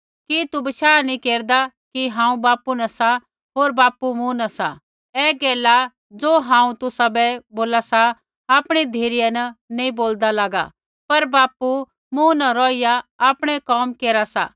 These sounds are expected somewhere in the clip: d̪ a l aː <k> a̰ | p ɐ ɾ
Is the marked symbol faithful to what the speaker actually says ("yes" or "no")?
no